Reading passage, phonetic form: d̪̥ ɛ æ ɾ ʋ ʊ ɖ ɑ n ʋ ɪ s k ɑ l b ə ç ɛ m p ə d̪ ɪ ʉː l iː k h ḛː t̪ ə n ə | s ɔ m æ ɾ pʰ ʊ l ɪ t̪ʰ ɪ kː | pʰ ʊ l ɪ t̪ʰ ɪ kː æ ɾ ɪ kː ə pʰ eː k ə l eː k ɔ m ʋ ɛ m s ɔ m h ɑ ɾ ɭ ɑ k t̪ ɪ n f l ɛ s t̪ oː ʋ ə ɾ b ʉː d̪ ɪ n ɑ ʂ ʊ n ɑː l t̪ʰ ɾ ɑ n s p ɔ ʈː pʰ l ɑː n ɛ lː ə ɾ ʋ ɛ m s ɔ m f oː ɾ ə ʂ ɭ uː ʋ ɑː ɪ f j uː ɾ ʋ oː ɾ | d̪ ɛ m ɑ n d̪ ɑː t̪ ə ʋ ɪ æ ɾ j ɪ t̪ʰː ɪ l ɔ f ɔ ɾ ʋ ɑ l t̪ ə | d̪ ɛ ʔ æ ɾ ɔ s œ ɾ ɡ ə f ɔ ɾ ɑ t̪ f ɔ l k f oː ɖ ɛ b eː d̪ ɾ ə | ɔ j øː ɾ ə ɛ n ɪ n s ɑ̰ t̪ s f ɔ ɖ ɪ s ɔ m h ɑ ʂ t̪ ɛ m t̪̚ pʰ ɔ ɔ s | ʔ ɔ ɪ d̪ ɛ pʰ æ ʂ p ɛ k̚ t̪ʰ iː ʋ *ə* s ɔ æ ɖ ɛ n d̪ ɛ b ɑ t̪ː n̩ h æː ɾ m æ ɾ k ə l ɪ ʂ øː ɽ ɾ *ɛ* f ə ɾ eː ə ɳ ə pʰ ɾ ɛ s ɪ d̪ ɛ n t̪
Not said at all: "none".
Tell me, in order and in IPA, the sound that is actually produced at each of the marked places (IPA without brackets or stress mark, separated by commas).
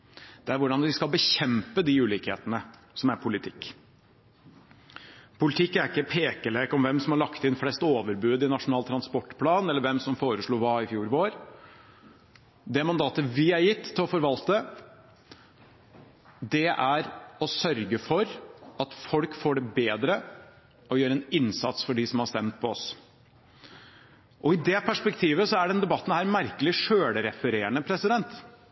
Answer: ə, ɛ